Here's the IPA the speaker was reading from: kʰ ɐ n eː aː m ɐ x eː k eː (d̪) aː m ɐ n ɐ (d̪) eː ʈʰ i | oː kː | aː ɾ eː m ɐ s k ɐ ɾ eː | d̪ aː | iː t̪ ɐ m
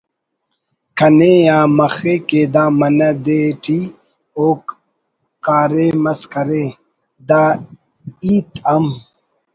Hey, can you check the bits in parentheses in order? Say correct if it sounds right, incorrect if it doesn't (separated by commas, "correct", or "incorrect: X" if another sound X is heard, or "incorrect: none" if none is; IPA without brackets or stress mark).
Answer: correct, correct